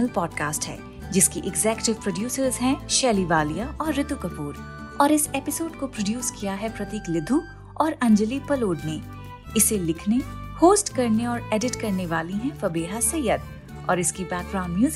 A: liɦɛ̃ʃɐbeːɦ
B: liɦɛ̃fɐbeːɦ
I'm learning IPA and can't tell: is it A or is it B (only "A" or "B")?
B